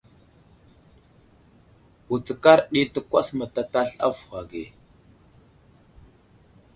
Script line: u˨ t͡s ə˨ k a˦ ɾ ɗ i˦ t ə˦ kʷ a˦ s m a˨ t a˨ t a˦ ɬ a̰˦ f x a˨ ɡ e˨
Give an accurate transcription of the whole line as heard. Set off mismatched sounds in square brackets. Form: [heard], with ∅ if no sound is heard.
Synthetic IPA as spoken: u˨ t͡s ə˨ k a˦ ɾ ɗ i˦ t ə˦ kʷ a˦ s m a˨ t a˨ t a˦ ɬ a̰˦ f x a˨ ɡ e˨